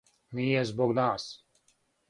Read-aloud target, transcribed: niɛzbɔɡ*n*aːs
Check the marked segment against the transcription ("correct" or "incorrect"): correct